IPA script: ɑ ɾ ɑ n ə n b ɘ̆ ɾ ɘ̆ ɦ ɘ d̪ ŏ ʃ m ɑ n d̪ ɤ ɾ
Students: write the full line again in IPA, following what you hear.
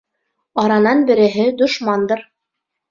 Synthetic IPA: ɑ ɾ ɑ n ɑ n b ɘ̆ ɾ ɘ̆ ɦ ɘ d̪ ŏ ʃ m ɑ n d̪ ɤ ɾ